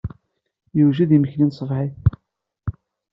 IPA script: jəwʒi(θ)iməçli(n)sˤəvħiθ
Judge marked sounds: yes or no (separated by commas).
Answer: no, yes